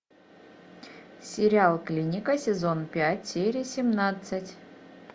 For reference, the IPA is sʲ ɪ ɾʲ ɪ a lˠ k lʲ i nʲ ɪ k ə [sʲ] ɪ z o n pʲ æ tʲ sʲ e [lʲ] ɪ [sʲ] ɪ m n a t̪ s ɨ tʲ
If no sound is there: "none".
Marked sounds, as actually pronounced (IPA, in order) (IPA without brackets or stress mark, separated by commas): sʲ, ɾʲ, sʲ